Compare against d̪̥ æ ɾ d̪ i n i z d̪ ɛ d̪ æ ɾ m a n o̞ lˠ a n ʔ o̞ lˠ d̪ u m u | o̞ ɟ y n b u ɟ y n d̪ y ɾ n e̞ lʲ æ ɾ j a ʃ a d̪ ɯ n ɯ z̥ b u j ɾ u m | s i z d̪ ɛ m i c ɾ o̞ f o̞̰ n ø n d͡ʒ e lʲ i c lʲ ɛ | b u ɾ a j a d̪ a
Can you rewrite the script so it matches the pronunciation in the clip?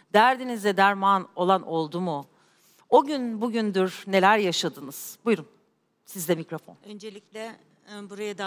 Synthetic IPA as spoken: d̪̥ æ ɾ d̪ i n i z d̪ ɛ d̪ æ ɾ m a n o̞ lˠ a n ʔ o̞ lˠ d̪ u m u | o̞ ɟ y n b u ɟ y n d̪ y ɾ n e̞ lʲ æ ɾ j a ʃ a d̪ ɯ n ɯ z̥ b u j ɾ u m | s i z d̪ ɛ m i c ɾ o̞ f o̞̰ n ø n d͡ʒ e lʲ i c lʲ ɛ | b u ɾ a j a d̪ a